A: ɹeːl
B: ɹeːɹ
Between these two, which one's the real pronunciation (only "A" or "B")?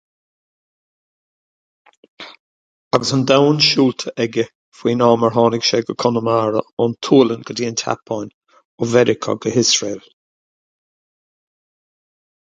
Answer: A